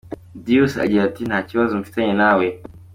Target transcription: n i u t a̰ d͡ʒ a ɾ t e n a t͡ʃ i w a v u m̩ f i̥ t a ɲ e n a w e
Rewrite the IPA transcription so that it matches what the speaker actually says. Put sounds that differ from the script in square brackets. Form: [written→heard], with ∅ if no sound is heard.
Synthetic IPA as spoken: [n→d] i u [t→s] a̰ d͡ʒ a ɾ t [e→i] n a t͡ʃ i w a [v→z] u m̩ f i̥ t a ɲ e n a w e